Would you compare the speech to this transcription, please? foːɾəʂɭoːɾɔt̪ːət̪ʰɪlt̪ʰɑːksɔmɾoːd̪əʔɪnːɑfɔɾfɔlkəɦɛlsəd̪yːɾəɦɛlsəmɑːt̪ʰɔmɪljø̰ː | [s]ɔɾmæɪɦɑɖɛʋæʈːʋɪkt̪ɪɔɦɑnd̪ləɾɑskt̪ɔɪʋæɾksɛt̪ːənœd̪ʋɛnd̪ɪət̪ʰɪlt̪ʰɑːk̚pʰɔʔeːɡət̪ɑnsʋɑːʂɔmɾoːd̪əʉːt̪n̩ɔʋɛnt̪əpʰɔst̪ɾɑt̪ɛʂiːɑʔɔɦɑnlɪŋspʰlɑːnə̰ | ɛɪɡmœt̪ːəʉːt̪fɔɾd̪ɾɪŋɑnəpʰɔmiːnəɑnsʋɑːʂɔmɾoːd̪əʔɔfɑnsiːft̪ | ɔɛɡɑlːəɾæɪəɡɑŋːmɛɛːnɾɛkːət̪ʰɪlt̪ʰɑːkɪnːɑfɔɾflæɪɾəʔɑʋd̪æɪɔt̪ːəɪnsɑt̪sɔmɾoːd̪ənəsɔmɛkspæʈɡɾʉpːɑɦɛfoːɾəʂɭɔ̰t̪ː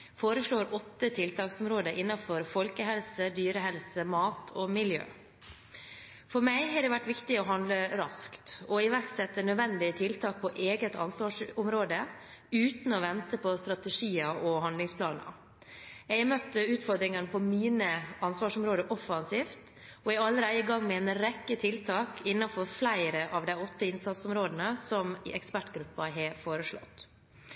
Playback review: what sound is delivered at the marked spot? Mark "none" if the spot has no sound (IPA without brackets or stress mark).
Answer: f